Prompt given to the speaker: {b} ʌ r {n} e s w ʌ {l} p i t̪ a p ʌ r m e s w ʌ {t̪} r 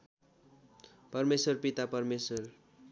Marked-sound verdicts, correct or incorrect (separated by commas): incorrect, incorrect, incorrect, incorrect